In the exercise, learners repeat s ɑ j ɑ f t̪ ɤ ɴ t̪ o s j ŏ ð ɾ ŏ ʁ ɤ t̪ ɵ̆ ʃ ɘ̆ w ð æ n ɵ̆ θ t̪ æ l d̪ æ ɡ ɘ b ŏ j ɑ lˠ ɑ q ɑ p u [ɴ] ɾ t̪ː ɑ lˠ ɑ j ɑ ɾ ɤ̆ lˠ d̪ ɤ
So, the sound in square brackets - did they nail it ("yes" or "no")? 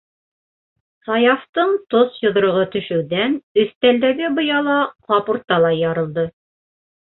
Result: no